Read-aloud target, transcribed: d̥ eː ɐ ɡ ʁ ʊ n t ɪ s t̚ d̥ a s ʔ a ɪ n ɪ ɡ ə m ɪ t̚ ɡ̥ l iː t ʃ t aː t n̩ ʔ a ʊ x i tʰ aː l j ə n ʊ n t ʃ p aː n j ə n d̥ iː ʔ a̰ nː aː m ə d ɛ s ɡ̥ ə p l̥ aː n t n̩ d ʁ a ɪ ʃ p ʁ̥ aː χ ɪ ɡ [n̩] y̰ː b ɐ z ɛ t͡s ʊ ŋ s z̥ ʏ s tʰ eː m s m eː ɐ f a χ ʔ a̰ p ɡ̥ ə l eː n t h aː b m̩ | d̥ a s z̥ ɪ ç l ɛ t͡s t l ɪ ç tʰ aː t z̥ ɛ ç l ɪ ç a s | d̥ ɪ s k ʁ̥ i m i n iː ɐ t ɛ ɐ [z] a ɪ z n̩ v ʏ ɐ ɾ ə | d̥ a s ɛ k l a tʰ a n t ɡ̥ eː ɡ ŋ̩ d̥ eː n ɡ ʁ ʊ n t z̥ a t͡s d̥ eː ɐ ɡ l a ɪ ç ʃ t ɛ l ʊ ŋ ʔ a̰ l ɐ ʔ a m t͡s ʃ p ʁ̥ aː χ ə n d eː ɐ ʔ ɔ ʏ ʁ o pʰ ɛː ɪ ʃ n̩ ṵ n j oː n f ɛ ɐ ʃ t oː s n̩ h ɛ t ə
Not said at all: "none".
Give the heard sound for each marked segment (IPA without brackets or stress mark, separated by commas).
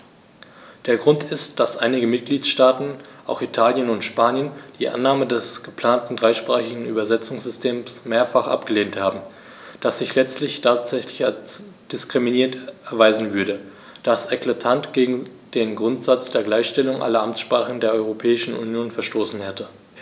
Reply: ŋ̩, v